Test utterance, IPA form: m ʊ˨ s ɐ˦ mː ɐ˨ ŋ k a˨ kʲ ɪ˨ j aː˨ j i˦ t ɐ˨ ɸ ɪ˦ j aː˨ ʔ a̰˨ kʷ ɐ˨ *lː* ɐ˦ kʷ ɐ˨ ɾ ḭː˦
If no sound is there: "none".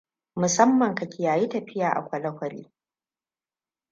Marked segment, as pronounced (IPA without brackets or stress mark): l